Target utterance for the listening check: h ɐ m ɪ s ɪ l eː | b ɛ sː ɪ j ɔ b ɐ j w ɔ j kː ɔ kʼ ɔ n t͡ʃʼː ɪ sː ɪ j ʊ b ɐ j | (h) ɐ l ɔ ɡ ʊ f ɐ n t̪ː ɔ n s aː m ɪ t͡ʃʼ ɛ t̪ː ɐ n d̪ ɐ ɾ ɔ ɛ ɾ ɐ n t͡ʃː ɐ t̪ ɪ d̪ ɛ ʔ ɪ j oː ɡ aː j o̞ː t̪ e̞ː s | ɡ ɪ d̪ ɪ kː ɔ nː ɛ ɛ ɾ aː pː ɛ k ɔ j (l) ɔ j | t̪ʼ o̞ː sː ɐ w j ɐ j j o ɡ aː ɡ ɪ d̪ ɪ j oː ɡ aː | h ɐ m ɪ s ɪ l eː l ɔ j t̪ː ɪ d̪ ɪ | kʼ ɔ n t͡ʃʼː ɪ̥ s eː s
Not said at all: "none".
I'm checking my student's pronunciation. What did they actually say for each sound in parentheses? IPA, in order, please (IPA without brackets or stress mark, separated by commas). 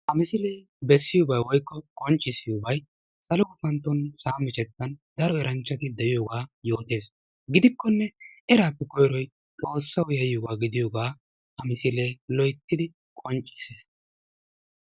s, ɾ